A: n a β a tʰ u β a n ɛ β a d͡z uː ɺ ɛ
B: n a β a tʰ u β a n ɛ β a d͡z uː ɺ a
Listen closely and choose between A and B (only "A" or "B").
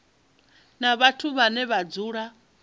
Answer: B